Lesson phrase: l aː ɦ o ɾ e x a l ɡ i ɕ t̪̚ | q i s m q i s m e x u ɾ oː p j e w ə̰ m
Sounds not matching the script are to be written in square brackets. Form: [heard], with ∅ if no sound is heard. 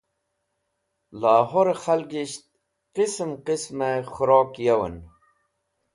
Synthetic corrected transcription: l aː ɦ o ɾ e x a l ɡ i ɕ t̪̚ | q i s m q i s m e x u ɾ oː [k] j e w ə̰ [n]